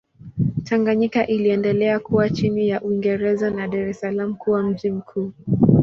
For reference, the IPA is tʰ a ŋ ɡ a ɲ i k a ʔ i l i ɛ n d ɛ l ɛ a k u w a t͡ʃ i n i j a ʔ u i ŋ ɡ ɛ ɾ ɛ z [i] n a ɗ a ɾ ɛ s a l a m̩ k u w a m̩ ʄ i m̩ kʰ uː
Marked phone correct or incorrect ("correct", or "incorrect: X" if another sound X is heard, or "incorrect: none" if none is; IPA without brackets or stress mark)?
incorrect: a